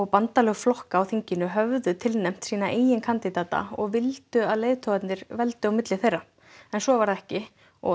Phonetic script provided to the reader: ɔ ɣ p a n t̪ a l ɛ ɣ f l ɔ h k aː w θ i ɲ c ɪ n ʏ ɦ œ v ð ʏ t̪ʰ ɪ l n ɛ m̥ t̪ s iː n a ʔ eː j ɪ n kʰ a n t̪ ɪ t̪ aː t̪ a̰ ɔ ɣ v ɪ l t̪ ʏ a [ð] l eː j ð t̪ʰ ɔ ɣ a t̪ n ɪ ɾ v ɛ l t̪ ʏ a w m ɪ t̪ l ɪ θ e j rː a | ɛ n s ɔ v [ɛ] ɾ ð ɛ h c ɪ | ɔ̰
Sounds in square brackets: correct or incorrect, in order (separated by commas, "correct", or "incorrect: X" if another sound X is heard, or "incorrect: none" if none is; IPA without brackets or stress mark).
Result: correct, incorrect: a